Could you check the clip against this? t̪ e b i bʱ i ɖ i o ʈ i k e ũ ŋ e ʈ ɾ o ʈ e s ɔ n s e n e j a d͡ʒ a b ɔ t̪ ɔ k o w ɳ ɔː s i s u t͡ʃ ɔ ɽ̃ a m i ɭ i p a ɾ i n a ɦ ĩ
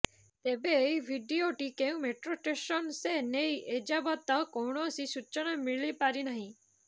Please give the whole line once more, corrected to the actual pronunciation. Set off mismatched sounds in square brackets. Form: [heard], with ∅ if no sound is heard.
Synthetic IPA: t̪ e b [e] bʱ i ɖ i o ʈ i k e ũ [m] e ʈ ɾ o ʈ e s ɔ n s e n e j [e] d͡ʒ a b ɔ t̪ ɔ k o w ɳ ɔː s i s u t͡ʃ ɔ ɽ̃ a m i ɭ i p a ɾ i n a ɦ ĩ